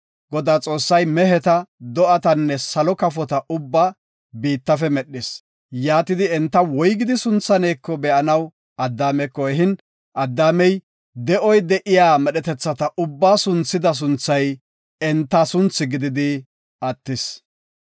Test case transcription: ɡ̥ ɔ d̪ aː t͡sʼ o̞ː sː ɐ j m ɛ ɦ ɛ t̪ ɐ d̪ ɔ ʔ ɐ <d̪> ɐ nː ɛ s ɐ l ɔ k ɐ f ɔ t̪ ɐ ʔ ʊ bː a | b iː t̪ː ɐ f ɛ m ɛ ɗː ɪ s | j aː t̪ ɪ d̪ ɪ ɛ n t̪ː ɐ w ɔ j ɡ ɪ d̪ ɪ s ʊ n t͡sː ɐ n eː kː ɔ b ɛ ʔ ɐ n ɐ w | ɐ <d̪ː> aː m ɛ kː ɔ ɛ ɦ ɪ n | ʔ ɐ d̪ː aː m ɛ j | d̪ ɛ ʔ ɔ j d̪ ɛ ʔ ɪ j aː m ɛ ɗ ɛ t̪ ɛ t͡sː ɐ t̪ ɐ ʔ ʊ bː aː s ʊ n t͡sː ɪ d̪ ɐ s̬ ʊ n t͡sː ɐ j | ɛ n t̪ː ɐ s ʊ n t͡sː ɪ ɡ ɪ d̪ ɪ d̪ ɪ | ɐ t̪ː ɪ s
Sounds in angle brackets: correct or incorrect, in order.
incorrect, correct

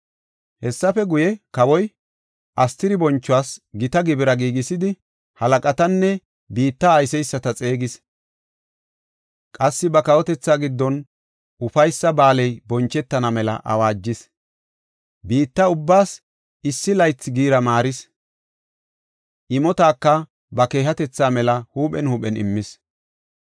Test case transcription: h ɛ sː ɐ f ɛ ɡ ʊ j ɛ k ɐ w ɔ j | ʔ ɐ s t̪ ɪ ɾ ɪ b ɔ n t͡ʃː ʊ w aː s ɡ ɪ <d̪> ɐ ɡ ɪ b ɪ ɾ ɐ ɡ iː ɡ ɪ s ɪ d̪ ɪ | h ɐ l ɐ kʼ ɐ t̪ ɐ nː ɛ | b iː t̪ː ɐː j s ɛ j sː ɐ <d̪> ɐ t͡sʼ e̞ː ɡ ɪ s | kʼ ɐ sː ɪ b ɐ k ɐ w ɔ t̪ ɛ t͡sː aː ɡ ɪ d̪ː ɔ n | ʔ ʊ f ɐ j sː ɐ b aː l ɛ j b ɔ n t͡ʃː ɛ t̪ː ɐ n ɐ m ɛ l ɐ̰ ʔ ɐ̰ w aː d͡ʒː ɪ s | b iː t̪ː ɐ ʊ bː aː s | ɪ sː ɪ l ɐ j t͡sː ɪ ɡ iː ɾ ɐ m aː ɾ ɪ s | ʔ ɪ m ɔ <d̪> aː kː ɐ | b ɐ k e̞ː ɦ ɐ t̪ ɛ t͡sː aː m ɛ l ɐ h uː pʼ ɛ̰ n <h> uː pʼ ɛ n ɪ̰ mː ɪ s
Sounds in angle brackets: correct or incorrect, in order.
incorrect, incorrect, incorrect, correct

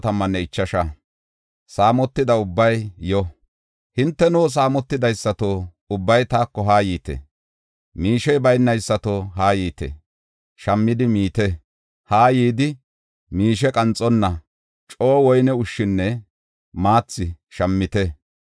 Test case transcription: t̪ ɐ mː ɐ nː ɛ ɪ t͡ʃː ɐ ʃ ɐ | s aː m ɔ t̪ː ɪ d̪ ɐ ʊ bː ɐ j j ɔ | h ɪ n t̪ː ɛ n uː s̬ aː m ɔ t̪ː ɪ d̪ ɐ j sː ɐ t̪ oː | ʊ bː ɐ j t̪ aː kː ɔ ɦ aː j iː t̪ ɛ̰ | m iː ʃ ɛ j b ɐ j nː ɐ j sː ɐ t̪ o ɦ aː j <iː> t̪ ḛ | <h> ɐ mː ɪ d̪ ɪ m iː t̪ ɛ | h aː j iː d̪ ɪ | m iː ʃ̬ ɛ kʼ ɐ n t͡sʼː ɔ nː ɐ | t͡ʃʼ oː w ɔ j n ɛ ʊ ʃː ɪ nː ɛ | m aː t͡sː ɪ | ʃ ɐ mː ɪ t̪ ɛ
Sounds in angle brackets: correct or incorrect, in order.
correct, incorrect

